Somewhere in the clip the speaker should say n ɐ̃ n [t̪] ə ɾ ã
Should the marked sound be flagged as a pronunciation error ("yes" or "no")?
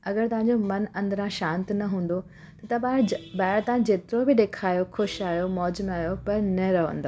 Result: yes